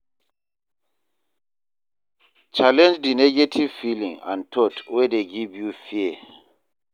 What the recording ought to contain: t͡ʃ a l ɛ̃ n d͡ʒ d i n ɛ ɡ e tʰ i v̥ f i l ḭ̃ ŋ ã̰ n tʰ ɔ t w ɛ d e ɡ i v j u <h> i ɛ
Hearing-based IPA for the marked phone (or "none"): f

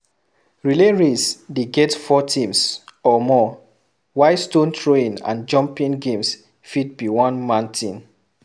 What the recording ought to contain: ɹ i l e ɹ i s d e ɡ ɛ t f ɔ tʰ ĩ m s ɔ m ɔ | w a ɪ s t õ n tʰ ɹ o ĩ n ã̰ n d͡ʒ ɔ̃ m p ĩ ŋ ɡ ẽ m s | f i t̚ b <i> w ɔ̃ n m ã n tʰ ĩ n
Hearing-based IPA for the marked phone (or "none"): i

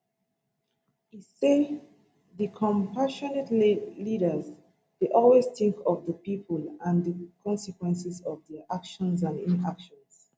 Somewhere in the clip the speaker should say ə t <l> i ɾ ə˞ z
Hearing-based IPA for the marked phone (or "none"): l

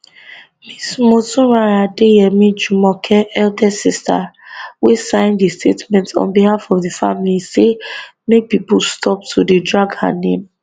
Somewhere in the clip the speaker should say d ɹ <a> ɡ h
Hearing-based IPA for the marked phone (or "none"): a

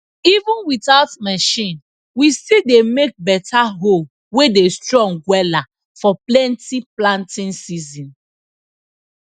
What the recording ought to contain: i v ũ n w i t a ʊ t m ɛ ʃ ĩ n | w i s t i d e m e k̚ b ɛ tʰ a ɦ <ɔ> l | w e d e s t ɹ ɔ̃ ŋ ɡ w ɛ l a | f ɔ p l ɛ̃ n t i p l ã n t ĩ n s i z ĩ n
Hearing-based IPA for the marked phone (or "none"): o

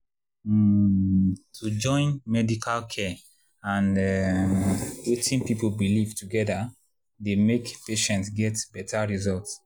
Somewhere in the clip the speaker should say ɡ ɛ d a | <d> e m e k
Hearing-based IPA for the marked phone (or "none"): d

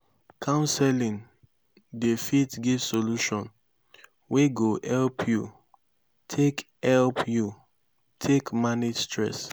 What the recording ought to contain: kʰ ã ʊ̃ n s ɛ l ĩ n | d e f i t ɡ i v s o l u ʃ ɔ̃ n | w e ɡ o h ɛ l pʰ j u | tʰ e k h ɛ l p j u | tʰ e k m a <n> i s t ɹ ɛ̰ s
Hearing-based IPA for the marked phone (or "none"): n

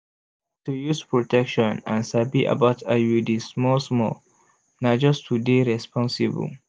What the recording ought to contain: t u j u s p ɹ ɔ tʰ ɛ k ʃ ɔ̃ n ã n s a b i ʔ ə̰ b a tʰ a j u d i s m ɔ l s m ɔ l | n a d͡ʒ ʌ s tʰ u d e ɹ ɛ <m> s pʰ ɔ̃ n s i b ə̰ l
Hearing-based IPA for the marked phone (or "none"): none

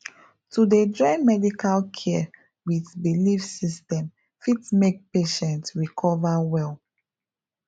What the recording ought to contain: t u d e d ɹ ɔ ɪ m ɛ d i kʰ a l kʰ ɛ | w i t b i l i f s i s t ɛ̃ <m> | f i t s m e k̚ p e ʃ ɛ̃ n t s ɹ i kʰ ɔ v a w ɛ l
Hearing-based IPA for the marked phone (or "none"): m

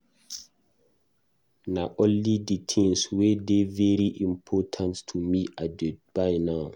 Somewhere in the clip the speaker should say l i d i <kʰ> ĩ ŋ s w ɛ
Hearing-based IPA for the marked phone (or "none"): tʰ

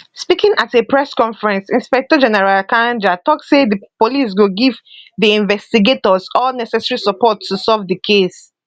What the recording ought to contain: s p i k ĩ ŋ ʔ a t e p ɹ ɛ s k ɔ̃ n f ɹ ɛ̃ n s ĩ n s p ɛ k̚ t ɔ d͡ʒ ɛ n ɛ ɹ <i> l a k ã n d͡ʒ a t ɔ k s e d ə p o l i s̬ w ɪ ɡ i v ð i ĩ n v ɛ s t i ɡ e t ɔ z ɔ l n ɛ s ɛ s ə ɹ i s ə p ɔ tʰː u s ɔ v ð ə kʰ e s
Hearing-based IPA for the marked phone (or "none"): a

